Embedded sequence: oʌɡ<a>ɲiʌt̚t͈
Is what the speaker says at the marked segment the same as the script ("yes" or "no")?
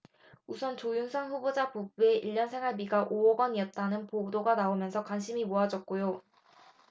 no